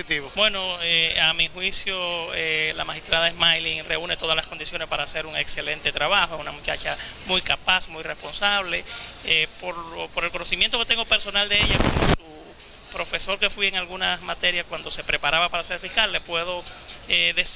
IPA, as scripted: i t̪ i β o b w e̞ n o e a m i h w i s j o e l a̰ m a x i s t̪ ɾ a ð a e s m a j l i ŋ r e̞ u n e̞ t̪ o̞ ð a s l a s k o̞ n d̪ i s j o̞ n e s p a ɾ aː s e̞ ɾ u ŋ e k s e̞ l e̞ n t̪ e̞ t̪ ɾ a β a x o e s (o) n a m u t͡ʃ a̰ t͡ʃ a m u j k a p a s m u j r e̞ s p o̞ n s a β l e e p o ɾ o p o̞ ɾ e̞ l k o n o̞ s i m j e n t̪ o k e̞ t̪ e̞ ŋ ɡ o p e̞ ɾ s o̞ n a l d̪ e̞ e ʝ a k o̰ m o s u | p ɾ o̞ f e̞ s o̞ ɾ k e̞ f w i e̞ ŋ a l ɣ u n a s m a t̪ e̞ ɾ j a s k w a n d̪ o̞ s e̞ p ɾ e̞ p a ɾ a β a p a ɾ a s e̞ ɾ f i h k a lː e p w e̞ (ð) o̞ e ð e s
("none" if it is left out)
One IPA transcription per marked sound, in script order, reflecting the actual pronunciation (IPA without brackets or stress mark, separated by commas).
u, ð